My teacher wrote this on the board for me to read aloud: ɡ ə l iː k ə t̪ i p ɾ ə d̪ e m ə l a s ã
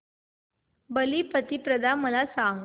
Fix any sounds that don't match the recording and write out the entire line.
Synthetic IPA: b ə l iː p ə t̪ i p ɾ ə d̪ a m ə l a s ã